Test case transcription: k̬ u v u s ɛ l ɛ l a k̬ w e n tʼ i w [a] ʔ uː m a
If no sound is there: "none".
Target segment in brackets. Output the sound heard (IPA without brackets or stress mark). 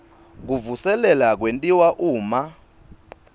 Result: a